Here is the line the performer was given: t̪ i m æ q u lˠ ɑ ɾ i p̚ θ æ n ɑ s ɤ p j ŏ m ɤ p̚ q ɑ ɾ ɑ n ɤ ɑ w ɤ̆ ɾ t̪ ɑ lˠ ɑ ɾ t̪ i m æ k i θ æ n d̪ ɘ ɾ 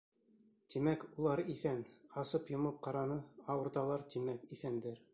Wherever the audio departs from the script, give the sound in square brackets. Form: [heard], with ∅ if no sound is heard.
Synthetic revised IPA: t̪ i m æ [k] u lˠ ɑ ɾ i [∅] θ æ n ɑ s ɤ p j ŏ m ɤ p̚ q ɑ ɾ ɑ n ɤ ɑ w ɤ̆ ɾ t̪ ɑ lˠ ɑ ɾ t̪ i m æ k i θ æ n d̪ ɘ ɾ